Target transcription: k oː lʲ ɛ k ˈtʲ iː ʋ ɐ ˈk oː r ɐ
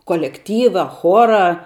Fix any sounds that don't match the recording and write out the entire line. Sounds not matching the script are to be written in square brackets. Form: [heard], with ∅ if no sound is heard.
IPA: k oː lʲ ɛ k ˈtʲ iː ʋ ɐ [ˈx] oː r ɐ